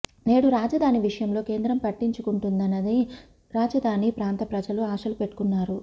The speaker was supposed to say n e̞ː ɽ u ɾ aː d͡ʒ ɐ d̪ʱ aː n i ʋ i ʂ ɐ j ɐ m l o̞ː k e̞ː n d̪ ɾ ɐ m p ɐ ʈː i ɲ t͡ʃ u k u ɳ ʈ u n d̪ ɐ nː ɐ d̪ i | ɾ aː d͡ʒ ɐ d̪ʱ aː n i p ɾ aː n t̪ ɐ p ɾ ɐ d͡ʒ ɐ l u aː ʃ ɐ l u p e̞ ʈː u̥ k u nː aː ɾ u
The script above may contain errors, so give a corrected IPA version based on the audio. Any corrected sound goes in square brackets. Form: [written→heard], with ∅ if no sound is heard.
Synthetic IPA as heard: n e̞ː ɽ u ɾ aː d͡ʒ ɐ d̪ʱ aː n i ʋ i ʂ ɐ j ɐ m l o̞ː k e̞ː n d̪ ɾ ɐ m p ɐ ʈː i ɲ t͡ʃ u k u ɳ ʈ u n d̪ ɐ nː ɐ d̪ i | ɾ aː d͡ʒ ɐ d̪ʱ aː n i p ɾ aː n t̪ ɐ p ɾ ɐ d͡ʒ ɐ l u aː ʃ ɐ l u p e̞ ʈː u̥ k u nː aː ɾ u